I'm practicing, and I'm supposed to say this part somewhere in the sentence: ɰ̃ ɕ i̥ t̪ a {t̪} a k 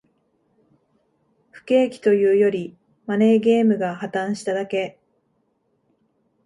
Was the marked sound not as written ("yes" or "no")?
yes